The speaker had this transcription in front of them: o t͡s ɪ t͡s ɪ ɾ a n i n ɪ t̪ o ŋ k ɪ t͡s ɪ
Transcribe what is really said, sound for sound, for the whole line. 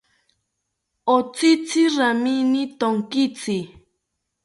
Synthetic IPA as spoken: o t͡s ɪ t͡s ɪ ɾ a m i n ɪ t̪ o ŋ k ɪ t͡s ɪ